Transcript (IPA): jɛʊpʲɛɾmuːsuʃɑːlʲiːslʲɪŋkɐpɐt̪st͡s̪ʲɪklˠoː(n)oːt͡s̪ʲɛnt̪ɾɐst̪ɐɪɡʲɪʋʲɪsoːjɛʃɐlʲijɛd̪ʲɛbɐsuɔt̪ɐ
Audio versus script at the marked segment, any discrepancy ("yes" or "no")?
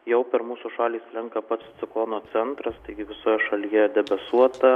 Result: no